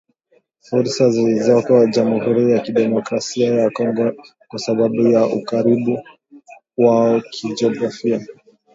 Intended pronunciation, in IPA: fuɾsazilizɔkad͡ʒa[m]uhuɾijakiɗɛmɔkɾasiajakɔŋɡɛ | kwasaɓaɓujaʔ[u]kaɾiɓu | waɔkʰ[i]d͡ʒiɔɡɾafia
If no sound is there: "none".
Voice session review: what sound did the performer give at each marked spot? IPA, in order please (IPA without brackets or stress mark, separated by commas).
m, u, i